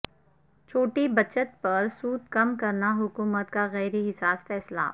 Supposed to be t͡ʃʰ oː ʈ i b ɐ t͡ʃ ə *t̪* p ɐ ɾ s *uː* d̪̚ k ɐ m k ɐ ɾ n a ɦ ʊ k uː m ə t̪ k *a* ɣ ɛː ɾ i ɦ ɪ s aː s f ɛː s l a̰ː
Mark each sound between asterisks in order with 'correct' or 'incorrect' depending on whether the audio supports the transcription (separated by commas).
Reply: correct, correct, correct